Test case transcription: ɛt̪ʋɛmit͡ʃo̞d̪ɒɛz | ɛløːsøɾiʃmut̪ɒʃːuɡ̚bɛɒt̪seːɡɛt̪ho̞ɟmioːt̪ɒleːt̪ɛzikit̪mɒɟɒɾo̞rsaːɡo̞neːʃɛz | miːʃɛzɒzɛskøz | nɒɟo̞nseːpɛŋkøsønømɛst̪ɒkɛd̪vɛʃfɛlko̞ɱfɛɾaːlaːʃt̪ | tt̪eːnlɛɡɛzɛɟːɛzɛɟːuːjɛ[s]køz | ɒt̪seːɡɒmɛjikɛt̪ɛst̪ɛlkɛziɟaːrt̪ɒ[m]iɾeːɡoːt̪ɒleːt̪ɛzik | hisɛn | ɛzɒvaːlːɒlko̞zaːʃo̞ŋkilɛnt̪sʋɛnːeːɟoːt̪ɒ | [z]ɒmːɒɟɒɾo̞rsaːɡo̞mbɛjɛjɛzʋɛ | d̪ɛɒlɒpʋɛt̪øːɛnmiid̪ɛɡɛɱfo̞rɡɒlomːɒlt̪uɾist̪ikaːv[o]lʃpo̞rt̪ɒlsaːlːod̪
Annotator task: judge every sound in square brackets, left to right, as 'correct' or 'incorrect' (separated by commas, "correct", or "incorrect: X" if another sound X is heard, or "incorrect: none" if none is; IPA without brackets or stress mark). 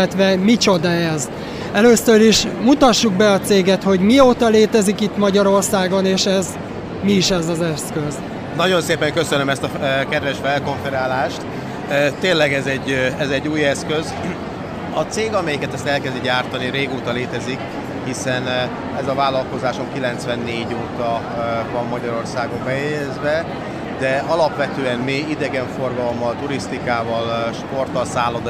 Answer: correct, incorrect: n, incorrect: v, incorrect: ɒ